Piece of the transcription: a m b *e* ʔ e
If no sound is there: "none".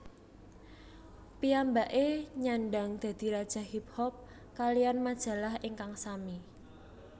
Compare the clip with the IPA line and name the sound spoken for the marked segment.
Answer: a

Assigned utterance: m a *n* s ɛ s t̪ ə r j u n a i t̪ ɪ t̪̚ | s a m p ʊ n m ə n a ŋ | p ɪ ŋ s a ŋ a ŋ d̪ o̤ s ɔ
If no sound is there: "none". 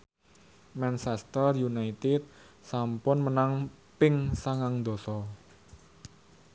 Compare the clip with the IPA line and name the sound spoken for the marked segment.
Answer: n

